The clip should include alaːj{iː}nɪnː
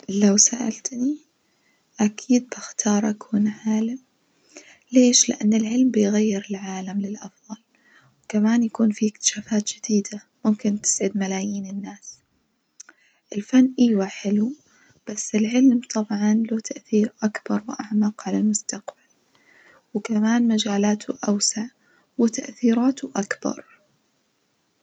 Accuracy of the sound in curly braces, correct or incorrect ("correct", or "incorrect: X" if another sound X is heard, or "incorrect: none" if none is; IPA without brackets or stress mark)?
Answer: correct